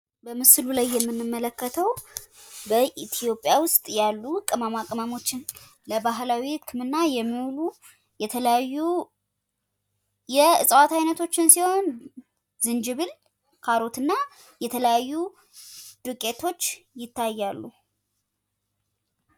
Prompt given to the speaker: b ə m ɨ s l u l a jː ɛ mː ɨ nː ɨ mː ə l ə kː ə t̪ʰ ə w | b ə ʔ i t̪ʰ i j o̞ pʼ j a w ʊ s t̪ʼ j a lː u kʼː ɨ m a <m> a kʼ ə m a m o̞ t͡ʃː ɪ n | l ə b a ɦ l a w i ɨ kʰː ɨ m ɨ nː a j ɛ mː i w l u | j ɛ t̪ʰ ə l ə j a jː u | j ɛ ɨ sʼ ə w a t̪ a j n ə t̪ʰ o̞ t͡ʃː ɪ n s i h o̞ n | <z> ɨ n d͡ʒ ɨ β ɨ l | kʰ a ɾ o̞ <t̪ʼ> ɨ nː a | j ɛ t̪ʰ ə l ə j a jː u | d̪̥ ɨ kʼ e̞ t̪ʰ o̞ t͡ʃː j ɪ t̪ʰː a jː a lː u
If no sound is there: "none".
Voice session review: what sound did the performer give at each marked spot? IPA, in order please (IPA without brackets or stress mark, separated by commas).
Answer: m, z, t̪